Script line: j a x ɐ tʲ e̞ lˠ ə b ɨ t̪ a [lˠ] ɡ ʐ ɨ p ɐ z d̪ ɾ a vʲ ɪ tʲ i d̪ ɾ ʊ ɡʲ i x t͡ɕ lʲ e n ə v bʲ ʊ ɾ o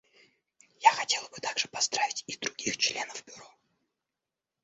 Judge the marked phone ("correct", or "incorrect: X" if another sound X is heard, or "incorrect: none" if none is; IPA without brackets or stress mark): incorrect: none